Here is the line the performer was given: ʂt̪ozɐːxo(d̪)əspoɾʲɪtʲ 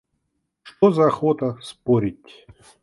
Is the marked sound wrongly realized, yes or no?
yes